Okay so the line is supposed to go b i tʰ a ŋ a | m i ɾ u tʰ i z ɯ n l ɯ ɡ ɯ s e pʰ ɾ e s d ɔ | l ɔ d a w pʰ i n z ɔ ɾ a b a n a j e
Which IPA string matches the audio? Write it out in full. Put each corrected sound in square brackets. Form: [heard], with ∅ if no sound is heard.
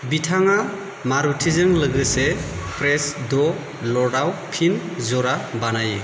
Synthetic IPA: b i tʰ a ŋ a | m [a] ɾ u tʰ i z ɯ [ŋ] l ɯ ɡ ɯ s e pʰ ɾ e s d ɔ | l ɔ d a w pʰ i n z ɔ ɾ a b a n a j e